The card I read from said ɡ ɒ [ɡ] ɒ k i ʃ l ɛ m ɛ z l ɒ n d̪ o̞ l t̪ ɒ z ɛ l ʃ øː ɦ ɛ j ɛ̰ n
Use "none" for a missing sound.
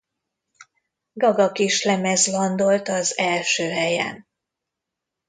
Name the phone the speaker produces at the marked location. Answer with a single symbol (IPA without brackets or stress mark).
ɡ